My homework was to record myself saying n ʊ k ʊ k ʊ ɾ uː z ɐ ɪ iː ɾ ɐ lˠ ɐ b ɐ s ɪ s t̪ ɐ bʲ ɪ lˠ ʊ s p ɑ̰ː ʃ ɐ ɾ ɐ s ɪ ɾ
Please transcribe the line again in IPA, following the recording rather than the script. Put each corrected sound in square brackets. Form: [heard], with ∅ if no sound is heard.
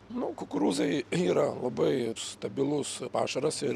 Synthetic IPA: n ʊ k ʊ k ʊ ɾ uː z ɐ ɪ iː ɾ ɐ lˠ ɐ b ɐ [∅] ɪ s t̪ ɐ bʲ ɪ lˠ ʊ s p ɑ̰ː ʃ ɐ ɾ ɐ s ɪ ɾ

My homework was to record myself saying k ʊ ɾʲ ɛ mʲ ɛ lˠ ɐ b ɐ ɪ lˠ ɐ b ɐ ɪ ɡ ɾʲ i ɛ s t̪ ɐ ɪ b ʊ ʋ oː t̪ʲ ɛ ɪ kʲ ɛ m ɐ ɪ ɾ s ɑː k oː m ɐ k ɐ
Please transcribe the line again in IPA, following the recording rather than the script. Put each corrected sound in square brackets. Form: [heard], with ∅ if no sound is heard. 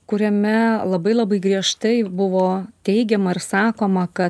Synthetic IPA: k ʊ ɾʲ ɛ mʲ ɛ lˠ ɐ b ɐ ɪ lˠ ɐ b ɐ ɪ ɡ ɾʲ i ɛ [ʃ] t̪ ɐ ɪ b ʊ ʋ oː t̪ʲ ɛ ɪ [ɡʲ] ɛ m ɐ ɪ ɾ s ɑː k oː m ɐ k ɐ

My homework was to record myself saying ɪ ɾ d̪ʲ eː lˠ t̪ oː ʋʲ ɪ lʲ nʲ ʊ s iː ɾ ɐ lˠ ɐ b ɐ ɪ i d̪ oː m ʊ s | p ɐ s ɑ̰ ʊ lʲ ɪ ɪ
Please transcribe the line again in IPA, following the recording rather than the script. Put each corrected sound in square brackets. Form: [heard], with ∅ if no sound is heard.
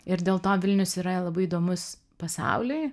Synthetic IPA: ɪ ɾ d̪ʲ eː lˠ t̪ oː ʋʲ ɪ lʲ nʲ ʊ s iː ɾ ɐ lˠ ɐ b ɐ ɪ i d̪ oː m ʊ s | p ɐ s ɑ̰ ʊ lʲ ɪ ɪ

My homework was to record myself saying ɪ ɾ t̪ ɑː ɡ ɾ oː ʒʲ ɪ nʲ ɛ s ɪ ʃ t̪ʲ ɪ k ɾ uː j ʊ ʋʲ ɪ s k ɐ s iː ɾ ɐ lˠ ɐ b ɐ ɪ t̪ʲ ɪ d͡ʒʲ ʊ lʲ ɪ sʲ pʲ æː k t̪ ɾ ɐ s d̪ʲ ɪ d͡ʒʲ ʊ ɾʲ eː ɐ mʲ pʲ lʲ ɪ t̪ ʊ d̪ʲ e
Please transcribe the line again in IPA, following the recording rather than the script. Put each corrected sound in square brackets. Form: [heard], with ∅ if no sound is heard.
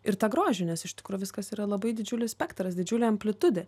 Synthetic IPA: ɪ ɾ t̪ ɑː ɡ ɾ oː ʒʲ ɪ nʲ ɛ s ɪ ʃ t̪ʲ ɪ k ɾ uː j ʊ ʋʲ ɪ s k ɐ s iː ɾ ɐ lˠ ɐ b ɐ ɪ [d̪ʲ] ɪ d͡ʒʲ ʊ lʲ ɪ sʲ pʲ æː k t̪ ɾ ɐ s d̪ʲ ɪ d͡ʒʲ ʊ [lʲ] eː ɐ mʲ pʲ lʲ ɪ t̪ ʊ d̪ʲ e

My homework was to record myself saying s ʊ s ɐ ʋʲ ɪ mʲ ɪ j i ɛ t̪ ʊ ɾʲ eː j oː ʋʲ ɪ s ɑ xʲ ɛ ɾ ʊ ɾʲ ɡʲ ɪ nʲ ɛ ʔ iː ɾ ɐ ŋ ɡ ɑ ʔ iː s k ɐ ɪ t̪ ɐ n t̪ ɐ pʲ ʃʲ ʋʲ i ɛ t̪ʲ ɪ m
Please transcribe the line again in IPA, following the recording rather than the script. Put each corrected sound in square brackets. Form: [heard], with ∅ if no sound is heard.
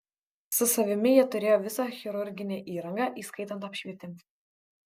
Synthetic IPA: s ʊ s ɐ ʋʲ ɪ mʲ ɪ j i ɛ t̪ ʊ ɾʲ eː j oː ʋʲ ɪ s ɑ xʲ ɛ ɾ ʊ ɾʲ ɡʲ ɪ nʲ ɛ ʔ iː ɾ ɐ ŋ ɡ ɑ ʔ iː s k ɐ ɪ t̪ ɐ n t̪ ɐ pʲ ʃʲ ʋʲ i ɛ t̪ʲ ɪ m

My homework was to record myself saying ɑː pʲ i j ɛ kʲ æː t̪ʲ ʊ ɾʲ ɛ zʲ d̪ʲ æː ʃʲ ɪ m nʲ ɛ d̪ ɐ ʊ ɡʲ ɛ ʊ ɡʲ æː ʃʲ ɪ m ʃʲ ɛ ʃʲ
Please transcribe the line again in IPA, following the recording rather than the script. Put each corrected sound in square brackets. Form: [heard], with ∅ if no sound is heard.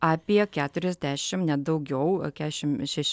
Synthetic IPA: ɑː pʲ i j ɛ kʲ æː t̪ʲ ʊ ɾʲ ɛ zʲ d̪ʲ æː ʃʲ ɪ m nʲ ɛ d̪ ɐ ʊ ɡʲ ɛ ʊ [kʲ] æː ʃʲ ɪ m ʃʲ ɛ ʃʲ

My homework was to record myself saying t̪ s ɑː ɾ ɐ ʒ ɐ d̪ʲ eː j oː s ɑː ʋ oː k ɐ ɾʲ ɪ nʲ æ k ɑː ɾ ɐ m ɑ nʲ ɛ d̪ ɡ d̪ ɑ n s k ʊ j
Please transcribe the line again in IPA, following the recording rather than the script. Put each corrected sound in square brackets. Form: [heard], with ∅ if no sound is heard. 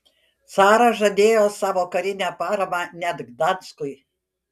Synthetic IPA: t̪ s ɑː ɾ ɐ ʒ ɐ d̪ʲ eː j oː s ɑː ʋ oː k ɐ ɾʲ ɪ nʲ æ [p] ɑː ɾ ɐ m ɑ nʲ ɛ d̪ ɡ d̪ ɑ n s k ʊ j

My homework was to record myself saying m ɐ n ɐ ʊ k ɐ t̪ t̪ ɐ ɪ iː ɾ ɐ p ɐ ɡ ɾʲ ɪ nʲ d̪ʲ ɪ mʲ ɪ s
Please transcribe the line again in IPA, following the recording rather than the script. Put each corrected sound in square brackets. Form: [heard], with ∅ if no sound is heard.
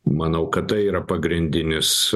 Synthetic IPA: m ɐ n ɐ ʊ k ɐ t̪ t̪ ɐ ɪ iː ɾ ɐ p ɐ ɡ ɾʲ ɪ nʲ d̪ʲ ɪ [nʲ] ɪ s

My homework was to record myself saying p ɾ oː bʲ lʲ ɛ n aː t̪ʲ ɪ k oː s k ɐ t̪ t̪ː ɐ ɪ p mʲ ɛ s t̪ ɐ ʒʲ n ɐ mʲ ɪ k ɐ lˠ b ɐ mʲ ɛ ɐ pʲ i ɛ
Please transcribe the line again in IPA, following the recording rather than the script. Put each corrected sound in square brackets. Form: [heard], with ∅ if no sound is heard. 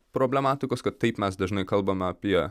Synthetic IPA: p ɾ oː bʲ lʲ ɛ [m] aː t̪ʲ ɪ k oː s k ɐ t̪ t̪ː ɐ ɪ p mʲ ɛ s [d̪] ɐ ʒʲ n ɐ [∅] ɪ k ɐ lˠ b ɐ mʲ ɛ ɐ pʲ i ɛ

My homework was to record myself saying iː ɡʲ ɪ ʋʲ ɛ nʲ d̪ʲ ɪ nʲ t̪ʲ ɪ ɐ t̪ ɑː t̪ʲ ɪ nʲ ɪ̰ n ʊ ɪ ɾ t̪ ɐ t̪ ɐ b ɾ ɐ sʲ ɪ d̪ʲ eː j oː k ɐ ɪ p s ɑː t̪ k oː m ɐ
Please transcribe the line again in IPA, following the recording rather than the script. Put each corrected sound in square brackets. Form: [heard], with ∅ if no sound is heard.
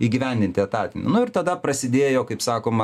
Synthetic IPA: iː ɡʲ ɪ ʋʲ ɛ nʲ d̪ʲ ɪ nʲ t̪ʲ ɪ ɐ t̪ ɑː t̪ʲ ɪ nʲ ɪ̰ n ʊ ɪ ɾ t̪ ɐ [d̪] ɐ [p] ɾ ɐ sʲ ɪ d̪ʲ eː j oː k ɐ ɪ p s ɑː [∅] k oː m ɐ

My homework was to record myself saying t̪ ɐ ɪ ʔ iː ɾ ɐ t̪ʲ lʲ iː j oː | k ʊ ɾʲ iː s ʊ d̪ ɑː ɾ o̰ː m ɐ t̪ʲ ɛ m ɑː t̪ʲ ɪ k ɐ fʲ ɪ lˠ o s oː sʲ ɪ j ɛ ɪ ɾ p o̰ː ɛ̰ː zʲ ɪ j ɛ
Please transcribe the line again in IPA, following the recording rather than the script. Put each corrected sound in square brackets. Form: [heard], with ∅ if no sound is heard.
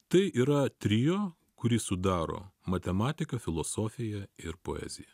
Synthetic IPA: t̪ ɐ ɪ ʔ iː ɾ ɐ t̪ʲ [ɾʲ] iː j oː | k ʊ ɾʲ iː s ʊ d̪ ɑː ɾ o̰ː m ɐ t̪ʲ ɛ m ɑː t̪ʲ ɪ k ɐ fʲ ɪ lˠ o s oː [fʲ] ɪ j ɛ ɪ ɾ p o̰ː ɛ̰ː zʲ ɪ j ɛ

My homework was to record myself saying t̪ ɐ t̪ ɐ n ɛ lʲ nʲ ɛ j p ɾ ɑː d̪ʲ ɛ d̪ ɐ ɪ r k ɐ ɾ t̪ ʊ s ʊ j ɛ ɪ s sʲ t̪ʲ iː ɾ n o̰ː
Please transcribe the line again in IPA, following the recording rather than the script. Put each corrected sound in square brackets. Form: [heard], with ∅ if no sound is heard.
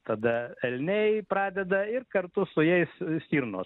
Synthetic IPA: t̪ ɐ [d̪] ɐ [∅] ɛ lʲ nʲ ɛ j p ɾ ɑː d̪ʲ ɛ d̪ ɐ ɪ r k ɐ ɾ t̪ ʊ s ʊ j ɛ ɪ s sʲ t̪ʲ iː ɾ n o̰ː

